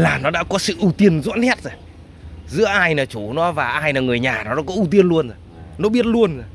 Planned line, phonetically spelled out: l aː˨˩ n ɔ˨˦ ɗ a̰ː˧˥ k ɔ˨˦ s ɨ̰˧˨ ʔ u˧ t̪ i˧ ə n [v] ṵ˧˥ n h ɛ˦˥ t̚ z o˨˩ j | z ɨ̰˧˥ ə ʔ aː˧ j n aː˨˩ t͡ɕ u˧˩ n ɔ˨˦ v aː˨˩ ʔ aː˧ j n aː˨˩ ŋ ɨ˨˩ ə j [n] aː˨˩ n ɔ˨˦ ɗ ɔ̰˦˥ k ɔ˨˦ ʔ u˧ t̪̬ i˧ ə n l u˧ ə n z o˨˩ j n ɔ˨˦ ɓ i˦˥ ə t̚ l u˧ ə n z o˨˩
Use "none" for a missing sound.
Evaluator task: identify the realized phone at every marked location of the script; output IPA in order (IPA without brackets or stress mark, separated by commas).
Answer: z, ɲ